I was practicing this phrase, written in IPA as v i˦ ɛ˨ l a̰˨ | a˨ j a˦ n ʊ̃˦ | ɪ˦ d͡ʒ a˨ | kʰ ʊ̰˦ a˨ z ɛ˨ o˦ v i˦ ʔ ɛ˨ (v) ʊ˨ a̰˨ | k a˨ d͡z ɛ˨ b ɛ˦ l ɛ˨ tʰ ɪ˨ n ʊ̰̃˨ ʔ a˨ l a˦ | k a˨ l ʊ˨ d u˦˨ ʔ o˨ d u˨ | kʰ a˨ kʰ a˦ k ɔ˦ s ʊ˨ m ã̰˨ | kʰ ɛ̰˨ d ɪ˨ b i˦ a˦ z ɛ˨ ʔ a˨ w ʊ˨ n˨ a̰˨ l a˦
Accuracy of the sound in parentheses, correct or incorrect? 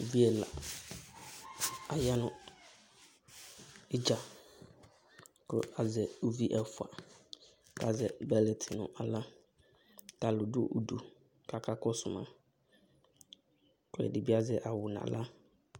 incorrect